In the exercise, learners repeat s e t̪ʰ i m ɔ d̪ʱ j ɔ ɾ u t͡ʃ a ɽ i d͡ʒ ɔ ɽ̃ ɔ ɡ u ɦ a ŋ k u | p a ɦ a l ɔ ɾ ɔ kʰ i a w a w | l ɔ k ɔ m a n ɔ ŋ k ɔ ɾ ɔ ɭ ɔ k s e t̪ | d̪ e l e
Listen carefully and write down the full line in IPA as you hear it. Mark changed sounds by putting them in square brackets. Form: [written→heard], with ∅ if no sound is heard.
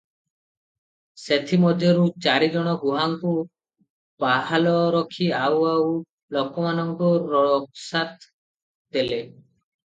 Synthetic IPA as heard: s e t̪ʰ i m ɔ d̪ʱ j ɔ ɾ u t͡ʃ a [ɽ→ɾ] i d͡ʒ ɔ ɽ̃ ɔ ɡ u ɦ a ŋ k u | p a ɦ a l ɔ ɾ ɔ kʰ i a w a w | l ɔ k ɔ m a n ɔ ŋ k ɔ ɾ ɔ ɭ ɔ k s [e→a] t̪ | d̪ e l e